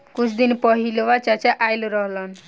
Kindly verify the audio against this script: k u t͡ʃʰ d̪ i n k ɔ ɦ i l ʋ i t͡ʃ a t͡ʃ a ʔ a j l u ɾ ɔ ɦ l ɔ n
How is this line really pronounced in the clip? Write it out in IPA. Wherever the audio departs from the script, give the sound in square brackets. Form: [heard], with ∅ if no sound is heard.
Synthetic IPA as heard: k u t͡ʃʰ d̪ i n [p] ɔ ɦ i l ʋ [a] t͡ʃ a t͡ʃ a ʔ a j l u ɾ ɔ ɦ l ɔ n